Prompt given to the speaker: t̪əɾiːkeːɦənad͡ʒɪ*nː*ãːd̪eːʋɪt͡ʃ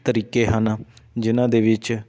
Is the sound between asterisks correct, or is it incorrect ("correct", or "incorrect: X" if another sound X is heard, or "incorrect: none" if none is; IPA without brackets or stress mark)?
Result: incorrect: n